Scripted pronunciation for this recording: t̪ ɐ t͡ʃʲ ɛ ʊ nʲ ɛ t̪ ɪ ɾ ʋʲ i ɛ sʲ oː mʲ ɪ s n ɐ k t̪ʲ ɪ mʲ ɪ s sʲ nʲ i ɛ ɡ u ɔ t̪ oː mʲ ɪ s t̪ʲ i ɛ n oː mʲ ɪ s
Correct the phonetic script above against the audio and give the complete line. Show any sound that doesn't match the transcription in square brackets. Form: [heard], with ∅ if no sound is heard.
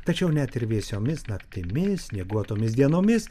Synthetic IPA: t̪ ɐ t͡ʃʲ ɛ ʊ nʲ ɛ t̪ ɪ ɾ ʋʲ i ɛ sʲ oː mʲ ɪ s n ɐ k t̪ʲ ɪ mʲ ɪ s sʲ nʲ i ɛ ɡ u ɔ t̪ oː mʲ ɪ s [d̪ʲ] i ɛ n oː mʲ ɪ s